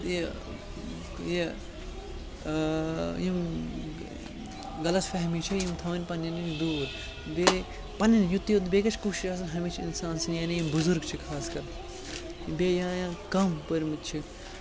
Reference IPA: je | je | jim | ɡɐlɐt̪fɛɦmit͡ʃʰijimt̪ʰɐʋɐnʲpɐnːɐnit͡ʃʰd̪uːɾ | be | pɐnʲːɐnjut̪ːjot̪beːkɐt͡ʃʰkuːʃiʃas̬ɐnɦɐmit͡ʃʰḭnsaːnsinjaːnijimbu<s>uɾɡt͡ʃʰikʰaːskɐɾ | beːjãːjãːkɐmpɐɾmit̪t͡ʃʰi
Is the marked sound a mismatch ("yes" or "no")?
yes